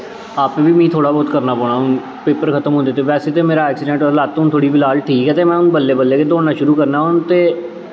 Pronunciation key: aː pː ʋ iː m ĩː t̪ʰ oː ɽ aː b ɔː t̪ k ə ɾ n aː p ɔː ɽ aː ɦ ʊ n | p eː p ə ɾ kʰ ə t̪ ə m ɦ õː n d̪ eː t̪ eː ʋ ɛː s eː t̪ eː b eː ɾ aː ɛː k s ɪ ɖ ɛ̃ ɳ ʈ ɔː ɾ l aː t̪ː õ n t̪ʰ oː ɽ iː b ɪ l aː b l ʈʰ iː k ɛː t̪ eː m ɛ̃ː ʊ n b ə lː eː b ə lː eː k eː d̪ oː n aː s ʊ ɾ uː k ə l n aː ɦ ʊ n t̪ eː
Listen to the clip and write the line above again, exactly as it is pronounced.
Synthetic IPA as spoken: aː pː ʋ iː m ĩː t̪ʰ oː ɽ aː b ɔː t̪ k ə ɾ n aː p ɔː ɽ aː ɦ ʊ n | p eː p ə ɾ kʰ ə t̪ ə m ɦ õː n d̪ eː t̪ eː ʋ ɛː s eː t̪ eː m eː ɾ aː ɛː k s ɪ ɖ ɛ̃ ɳ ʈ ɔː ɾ l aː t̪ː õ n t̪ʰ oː ɽ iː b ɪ l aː l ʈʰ iː k ɛː t̪ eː m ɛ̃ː ʊ n b ə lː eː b ə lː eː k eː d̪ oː n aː ʃ ʊ ɾ uː k ə ɾ n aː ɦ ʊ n t̪ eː